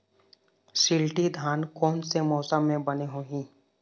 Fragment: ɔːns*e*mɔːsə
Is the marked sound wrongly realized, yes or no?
no